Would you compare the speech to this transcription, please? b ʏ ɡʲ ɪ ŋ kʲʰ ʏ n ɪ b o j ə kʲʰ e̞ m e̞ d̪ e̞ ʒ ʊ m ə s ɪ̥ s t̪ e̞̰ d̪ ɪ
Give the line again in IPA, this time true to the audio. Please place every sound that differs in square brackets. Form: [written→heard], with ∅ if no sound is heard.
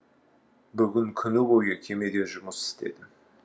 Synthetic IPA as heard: b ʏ ɡʲ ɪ ŋ kʲʰ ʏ n ɪ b o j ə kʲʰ e̞ m e̞ d̪ e̞ ʒ ʊ m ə s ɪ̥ s t̪ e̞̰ d̪ ɪ